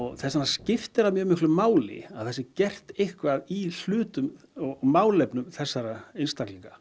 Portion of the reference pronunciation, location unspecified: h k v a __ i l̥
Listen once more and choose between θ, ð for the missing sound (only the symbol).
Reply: ð